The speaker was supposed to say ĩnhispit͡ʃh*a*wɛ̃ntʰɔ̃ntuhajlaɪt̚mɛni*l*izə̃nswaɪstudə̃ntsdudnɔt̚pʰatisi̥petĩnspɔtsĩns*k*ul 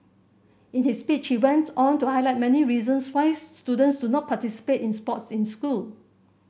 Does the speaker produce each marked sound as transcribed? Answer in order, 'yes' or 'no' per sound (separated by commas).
no, no, yes